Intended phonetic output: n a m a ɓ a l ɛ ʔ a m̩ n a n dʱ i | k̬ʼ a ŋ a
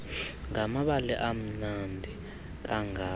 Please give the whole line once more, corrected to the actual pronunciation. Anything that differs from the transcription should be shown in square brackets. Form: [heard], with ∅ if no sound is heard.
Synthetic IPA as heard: [ŋ] a m a ɓ a l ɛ ʔ a m̩ n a n dʱ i | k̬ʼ a ŋ a